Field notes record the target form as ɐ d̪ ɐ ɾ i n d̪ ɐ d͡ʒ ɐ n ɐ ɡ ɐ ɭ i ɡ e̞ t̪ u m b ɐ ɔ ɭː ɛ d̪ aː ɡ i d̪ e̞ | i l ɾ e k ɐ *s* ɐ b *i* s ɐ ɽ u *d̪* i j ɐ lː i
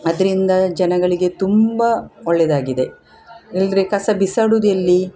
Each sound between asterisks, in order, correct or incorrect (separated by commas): correct, correct, correct